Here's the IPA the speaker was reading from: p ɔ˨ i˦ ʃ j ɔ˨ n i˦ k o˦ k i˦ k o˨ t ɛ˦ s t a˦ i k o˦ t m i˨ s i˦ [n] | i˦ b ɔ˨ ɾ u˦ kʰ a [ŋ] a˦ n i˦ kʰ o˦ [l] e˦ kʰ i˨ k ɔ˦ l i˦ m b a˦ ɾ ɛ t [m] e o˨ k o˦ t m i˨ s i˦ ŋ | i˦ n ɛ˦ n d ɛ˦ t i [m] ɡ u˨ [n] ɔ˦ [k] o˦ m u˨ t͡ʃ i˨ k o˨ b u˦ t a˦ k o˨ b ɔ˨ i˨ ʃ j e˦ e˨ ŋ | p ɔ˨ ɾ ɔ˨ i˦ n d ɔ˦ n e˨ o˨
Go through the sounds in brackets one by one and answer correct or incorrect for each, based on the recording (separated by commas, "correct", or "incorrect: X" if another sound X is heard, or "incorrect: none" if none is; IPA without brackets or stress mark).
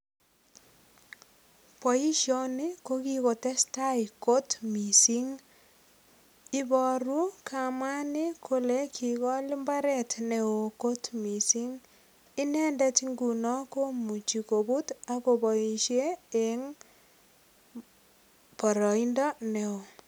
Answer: incorrect: ŋ, incorrect: m, correct, incorrect: n, incorrect: ŋ, correct, correct